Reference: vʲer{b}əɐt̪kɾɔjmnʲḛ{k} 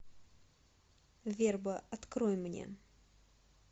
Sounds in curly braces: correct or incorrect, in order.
correct, incorrect

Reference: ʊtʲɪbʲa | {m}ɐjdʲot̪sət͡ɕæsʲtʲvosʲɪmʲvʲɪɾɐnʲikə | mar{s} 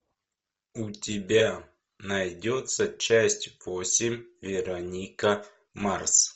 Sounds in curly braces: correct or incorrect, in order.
incorrect, correct

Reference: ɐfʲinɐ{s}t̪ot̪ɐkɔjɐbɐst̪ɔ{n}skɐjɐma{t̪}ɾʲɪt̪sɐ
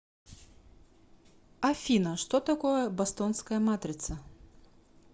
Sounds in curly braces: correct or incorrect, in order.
incorrect, correct, correct

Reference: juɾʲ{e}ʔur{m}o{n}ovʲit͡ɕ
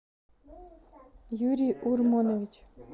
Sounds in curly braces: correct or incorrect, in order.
incorrect, correct, correct

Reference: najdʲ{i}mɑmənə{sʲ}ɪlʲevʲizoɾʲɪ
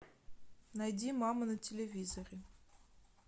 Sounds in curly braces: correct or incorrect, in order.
correct, incorrect

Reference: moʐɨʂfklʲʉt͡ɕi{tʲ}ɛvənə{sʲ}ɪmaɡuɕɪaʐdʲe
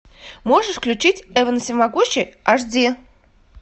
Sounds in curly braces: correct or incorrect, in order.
correct, correct

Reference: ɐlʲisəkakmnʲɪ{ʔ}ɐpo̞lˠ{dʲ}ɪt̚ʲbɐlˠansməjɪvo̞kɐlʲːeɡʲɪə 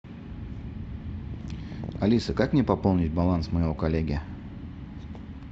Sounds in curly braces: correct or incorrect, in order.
incorrect, incorrect

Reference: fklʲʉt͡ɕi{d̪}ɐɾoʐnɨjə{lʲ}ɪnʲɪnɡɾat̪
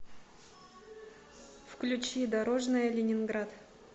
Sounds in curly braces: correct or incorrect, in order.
correct, correct

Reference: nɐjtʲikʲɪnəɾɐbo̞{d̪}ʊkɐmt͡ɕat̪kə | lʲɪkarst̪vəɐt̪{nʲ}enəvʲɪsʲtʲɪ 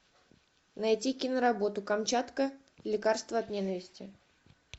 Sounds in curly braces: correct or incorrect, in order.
incorrect, correct

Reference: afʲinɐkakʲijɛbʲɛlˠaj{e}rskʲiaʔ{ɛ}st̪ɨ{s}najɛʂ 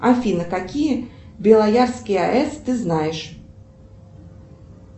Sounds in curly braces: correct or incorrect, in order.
incorrect, correct, incorrect

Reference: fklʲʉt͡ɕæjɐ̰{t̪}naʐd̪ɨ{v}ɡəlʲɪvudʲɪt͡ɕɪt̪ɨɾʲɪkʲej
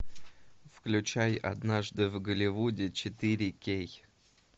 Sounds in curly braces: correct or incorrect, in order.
incorrect, correct

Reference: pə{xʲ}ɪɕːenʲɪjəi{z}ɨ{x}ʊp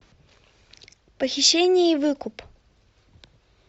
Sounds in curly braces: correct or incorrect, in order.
correct, incorrect, incorrect

